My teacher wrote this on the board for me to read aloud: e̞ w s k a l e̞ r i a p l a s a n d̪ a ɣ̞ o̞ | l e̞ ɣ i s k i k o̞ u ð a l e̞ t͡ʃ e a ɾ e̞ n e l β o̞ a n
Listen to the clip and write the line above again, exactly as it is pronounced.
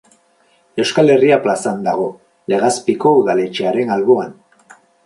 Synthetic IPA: e̞ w s k a l e̞ r i a p l a s a n d̪ a ɣ̞ o̞ | l e̞ ɣ a s p i k o̞ u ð a l e̞ t͡ʃ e a ɾ e̞ n a l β o̞ a n